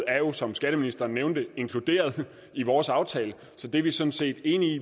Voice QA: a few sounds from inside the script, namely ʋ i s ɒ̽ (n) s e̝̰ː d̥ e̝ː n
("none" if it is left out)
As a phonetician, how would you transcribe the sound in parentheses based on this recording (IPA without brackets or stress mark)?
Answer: n